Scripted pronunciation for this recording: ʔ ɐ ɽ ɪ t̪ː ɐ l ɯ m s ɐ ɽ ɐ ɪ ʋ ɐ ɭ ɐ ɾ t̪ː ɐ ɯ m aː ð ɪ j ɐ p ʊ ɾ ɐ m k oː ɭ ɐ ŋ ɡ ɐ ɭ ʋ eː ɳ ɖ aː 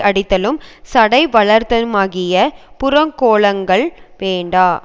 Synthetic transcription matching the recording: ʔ ɐ ɽ ɪ t̪ː ɐ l ɯ m s ɐ ɽ ɐ ɪ ʋ ɐ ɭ ɐ ɾ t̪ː ɐ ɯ m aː ɣ ɪ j ɐ p ʊ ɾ ɐ ŋ k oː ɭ ɐ ŋ ɡ ɐ ɭ ʋ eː ɳ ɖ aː